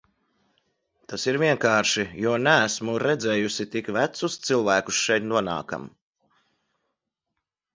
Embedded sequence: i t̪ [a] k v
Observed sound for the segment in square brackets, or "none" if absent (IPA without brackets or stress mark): i